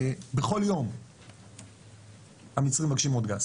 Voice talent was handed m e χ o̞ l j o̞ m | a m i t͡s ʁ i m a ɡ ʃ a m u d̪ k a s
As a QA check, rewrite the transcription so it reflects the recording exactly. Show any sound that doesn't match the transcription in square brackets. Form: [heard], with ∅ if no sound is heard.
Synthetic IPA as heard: [b] e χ o̞ l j o̞ m | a m i t͡s ʁ i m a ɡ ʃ [i] m [o] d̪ [ɡ] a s